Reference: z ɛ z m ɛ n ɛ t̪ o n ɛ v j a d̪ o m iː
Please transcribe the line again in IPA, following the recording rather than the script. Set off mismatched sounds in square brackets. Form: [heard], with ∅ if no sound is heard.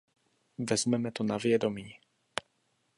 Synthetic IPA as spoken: [v] ɛ z m ɛ [m] ɛ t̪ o n [a] v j [ɛ] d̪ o m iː